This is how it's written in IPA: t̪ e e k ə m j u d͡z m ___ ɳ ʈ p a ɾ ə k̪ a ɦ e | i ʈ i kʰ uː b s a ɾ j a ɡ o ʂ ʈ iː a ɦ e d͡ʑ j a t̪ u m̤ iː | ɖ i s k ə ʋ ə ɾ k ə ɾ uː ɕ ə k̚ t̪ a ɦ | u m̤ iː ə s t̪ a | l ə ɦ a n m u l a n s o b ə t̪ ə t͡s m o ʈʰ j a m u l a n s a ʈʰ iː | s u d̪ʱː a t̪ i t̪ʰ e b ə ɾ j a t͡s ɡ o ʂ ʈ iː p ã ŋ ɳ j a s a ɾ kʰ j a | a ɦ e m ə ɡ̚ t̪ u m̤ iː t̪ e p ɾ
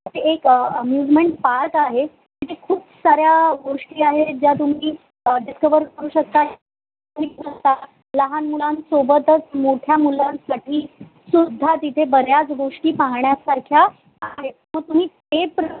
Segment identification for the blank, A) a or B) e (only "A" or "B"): B